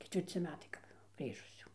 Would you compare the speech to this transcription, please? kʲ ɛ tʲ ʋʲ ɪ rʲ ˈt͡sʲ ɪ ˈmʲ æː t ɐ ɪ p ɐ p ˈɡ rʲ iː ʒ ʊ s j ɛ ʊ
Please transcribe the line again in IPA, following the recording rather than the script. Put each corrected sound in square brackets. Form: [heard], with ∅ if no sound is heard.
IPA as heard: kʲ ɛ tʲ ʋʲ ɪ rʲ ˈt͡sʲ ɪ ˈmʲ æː t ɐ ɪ [k] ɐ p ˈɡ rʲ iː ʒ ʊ s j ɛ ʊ